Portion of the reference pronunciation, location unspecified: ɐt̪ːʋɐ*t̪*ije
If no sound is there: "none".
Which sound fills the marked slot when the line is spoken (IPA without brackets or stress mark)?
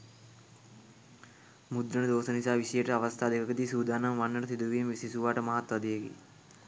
d̪